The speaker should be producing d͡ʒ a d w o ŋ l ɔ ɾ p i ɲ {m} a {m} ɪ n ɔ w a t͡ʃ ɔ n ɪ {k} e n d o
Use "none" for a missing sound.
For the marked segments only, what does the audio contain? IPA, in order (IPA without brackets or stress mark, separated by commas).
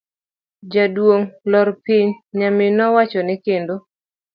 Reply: ɲ, m, k